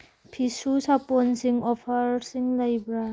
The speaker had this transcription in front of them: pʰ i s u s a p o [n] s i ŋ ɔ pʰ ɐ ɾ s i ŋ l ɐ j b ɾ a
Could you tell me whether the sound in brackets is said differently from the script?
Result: no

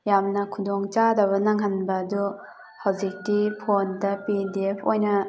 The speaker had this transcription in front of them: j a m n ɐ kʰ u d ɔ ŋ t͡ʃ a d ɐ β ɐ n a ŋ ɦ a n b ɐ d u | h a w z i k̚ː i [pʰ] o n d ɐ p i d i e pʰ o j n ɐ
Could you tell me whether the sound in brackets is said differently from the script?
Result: no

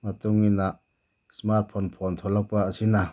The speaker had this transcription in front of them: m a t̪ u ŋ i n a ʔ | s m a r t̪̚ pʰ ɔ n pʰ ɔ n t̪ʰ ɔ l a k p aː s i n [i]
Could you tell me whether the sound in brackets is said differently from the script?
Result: yes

